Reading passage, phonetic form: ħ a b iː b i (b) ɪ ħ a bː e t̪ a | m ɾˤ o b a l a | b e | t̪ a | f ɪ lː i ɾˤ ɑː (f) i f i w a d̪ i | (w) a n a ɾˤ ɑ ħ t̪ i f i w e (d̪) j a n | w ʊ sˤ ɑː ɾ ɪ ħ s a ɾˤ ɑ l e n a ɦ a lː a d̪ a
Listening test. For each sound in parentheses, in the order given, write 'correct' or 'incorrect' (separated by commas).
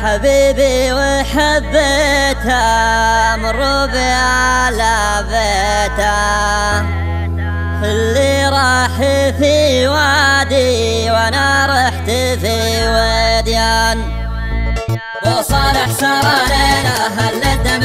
incorrect, incorrect, correct, correct